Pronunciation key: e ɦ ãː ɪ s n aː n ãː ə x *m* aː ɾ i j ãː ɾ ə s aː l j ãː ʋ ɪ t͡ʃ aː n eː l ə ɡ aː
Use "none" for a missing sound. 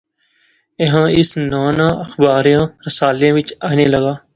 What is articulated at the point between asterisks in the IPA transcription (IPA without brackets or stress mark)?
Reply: b